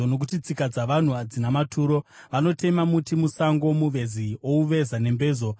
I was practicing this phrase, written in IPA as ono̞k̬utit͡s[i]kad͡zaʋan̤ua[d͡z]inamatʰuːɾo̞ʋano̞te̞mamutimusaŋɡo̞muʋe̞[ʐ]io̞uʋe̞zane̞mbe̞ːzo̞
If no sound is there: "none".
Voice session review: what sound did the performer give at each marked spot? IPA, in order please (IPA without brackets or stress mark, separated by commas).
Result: i, d͡z, z